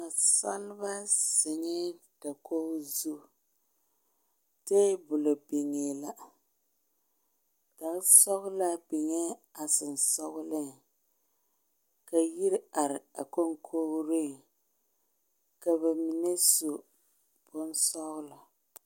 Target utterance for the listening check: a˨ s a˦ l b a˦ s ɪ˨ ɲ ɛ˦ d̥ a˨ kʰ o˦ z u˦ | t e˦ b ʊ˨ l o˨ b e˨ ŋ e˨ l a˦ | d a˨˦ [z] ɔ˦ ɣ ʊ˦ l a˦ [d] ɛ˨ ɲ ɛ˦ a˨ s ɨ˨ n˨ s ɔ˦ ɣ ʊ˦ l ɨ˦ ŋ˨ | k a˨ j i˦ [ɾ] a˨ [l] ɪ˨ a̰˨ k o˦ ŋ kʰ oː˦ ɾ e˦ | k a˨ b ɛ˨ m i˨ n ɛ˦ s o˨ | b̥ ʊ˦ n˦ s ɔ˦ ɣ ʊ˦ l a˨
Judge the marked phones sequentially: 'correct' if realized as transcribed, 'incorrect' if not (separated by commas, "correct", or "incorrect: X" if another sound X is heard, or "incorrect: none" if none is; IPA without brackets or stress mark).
incorrect: s, incorrect: b, correct, incorrect: ɾ